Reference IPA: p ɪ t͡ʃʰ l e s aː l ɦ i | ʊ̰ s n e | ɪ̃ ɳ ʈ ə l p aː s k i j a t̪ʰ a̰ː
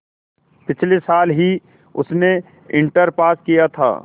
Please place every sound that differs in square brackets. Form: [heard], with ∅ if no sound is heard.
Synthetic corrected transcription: p ɪ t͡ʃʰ l e s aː l ɦ i | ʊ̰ s n e | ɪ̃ ɳ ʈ ə [ɾ] p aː s k i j a t̪ʰ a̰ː